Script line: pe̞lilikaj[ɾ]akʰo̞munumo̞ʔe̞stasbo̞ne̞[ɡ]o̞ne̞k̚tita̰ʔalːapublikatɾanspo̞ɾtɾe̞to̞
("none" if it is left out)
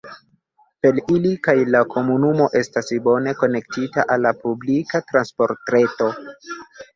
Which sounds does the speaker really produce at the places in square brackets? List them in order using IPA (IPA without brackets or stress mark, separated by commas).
l, k